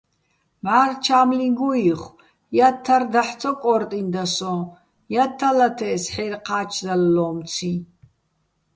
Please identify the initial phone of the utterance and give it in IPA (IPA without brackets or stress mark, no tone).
m